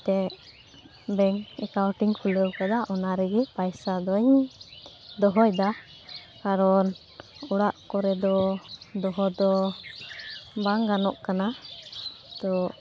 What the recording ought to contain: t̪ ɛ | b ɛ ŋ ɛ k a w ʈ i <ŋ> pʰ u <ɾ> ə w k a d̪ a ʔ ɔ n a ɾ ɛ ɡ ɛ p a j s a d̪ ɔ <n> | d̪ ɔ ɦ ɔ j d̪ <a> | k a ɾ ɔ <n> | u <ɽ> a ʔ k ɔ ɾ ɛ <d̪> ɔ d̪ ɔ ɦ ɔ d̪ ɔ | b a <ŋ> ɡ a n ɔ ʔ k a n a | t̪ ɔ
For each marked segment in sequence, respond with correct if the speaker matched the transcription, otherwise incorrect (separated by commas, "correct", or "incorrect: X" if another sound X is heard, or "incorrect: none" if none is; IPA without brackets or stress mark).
correct, incorrect: l, incorrect: ɲ, correct, correct, correct, correct, correct